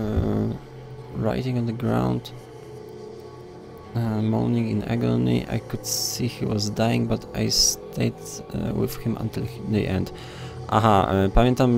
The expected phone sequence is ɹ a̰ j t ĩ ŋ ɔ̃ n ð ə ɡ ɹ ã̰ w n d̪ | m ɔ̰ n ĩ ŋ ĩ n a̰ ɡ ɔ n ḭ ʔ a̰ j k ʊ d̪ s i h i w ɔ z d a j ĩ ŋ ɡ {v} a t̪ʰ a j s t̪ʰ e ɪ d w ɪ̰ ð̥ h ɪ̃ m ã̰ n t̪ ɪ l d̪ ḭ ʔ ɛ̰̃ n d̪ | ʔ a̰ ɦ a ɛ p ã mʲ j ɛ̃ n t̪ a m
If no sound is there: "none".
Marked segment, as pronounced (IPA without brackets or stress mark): b